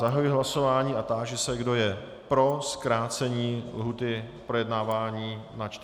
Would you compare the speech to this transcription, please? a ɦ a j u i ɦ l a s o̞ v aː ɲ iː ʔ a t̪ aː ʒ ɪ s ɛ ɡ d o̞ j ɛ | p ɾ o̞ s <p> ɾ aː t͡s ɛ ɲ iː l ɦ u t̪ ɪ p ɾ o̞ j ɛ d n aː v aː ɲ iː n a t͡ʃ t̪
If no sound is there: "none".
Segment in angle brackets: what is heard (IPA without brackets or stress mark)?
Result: k